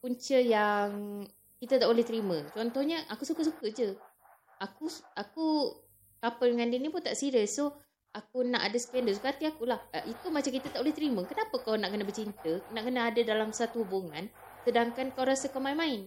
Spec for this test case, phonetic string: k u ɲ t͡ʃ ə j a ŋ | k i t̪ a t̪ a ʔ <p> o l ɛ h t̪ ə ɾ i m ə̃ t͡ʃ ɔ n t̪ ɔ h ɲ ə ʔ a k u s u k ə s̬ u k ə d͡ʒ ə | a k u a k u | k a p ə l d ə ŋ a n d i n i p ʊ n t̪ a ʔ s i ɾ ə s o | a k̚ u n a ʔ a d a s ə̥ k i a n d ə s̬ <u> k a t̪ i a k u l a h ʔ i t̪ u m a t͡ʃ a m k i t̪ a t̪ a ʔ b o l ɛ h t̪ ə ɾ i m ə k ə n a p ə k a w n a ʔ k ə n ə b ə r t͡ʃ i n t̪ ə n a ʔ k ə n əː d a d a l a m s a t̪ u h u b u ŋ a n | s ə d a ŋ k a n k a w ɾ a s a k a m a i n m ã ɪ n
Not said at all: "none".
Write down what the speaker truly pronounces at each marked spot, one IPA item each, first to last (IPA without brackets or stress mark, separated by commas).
b, u